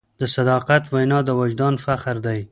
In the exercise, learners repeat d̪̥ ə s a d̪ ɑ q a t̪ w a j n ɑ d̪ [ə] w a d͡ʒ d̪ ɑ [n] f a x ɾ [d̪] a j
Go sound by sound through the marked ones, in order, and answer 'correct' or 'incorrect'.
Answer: correct, correct, correct

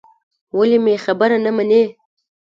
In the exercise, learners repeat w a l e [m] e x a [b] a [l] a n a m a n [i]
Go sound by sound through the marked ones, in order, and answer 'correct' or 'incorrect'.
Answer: correct, correct, incorrect: ɾ, incorrect: e

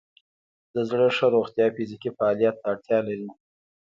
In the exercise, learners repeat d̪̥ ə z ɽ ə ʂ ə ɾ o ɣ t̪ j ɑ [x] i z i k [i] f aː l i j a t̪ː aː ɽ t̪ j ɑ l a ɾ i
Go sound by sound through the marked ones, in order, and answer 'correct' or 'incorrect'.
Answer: incorrect: f, correct

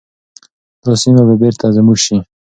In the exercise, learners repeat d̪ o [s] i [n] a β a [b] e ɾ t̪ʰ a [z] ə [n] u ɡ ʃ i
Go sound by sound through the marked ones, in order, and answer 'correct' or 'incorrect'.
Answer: correct, incorrect: m, correct, correct, incorrect: m

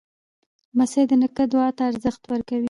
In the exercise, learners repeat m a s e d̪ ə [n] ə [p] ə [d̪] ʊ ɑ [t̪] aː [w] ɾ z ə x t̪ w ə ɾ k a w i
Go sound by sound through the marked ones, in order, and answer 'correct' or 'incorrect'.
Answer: correct, incorrect: k, correct, correct, incorrect: none

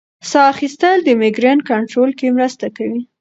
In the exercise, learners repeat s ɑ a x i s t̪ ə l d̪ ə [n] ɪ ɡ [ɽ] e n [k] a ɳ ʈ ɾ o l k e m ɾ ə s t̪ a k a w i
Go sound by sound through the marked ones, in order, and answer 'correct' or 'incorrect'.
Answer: incorrect: m, incorrect: ɾ, correct

